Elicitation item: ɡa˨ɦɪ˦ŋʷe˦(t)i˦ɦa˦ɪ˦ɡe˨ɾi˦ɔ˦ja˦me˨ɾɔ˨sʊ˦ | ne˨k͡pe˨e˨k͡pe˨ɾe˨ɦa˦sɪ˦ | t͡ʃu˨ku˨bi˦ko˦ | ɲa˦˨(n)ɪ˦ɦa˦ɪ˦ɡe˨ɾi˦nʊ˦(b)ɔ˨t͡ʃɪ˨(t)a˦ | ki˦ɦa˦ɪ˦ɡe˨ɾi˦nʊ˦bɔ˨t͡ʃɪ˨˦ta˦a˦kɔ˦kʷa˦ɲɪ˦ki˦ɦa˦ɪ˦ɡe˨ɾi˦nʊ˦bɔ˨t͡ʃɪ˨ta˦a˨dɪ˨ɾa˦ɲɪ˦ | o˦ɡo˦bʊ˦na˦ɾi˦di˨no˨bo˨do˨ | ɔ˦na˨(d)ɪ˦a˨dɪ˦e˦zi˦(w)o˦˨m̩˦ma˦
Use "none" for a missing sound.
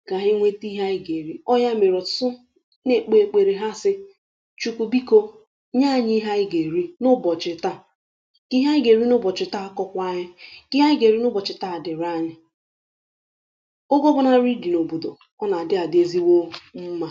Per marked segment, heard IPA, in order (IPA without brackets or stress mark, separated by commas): t, ɲ, b, t, d, w